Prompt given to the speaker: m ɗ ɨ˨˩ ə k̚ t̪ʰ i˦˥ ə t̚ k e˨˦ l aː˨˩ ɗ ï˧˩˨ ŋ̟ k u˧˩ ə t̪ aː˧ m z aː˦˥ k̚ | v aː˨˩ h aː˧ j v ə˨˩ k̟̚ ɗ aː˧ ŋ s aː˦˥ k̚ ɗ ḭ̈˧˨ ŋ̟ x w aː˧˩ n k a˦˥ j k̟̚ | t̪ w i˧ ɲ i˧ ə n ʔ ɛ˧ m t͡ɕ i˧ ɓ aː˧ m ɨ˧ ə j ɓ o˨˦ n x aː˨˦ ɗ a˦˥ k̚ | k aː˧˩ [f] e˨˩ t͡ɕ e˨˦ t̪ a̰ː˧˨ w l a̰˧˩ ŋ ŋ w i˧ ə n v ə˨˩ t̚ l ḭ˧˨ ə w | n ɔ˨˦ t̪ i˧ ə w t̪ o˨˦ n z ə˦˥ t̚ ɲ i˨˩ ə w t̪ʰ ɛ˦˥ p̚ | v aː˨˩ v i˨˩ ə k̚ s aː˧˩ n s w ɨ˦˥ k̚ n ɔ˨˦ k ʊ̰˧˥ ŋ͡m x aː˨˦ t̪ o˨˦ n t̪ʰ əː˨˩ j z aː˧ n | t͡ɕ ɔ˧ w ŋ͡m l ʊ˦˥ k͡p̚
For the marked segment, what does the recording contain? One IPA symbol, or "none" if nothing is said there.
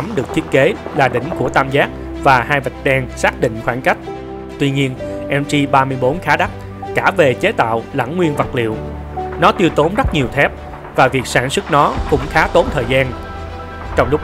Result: v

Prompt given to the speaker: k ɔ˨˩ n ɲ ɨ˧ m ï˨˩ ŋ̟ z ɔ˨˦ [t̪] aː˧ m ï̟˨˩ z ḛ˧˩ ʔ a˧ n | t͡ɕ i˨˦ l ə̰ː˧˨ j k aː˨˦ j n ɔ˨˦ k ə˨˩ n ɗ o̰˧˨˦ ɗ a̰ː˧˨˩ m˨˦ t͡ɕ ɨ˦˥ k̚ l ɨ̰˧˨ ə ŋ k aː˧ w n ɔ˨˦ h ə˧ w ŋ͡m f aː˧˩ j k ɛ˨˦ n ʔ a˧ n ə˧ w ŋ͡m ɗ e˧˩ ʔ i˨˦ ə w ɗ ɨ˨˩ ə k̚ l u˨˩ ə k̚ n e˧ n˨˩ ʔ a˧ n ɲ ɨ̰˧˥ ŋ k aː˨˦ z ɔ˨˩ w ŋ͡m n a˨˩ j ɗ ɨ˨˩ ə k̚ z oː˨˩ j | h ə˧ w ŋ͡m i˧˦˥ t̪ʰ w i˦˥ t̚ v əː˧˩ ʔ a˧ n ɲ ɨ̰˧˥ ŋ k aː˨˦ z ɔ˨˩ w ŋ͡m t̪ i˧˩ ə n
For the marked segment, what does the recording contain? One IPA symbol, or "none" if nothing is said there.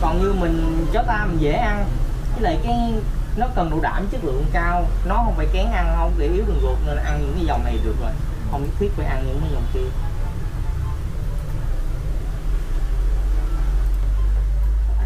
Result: t̪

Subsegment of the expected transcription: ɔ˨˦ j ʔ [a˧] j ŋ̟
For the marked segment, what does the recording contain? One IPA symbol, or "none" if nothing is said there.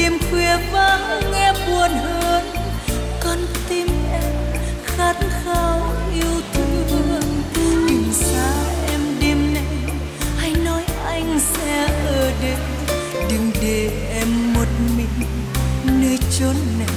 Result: a˧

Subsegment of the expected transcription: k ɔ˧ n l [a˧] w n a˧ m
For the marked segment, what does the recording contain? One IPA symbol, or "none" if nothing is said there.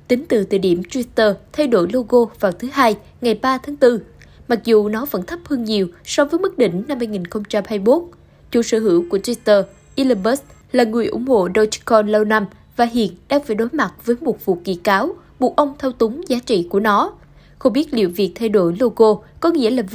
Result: ə˧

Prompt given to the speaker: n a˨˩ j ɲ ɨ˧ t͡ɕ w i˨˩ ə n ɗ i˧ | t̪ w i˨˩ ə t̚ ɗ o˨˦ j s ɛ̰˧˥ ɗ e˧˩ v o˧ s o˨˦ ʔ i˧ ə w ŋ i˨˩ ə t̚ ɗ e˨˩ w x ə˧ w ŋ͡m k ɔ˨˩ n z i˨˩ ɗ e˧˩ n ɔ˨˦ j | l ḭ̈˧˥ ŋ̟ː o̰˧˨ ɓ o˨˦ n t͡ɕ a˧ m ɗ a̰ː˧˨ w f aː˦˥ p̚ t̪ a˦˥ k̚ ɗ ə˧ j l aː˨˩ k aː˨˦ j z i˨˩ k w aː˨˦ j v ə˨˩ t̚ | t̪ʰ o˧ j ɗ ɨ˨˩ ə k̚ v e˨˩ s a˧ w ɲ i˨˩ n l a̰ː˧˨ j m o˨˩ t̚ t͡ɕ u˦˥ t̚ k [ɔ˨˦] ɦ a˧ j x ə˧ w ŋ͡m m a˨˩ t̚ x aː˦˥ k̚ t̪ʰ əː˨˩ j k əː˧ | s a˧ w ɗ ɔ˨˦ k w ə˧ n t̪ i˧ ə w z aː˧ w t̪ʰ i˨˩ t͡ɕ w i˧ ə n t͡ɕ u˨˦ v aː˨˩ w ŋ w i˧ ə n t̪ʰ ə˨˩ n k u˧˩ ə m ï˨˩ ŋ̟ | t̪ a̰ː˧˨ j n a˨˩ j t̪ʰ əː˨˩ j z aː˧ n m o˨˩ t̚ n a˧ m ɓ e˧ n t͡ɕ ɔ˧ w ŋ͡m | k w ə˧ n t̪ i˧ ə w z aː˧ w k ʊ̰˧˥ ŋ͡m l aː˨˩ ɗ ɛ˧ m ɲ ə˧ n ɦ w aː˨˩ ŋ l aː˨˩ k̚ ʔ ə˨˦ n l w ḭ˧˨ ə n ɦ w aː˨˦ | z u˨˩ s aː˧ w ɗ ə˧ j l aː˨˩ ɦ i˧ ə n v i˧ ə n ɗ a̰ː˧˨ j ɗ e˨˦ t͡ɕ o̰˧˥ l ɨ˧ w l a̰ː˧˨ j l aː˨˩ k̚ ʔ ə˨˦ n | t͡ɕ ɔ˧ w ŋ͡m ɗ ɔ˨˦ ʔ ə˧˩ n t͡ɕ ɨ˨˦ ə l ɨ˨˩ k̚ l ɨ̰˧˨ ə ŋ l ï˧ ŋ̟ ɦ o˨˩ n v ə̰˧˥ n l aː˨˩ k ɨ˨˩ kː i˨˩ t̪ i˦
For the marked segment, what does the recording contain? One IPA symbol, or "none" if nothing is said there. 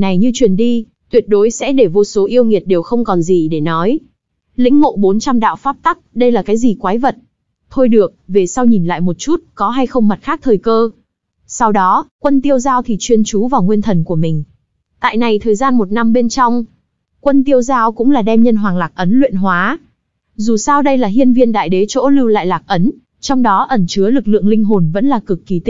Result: ɔ˨˦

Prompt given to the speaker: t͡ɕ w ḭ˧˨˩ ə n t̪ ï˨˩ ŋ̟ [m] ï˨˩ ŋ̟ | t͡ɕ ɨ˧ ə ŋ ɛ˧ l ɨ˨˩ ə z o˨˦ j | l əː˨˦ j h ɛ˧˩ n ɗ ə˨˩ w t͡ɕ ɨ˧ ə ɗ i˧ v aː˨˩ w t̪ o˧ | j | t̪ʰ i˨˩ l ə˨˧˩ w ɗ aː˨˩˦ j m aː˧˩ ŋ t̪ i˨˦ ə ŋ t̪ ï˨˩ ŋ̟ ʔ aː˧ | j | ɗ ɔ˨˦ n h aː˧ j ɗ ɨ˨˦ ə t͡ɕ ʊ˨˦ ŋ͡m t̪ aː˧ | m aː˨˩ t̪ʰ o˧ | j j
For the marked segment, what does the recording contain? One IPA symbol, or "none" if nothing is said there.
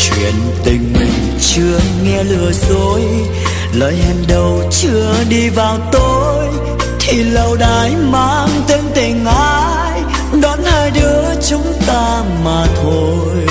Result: m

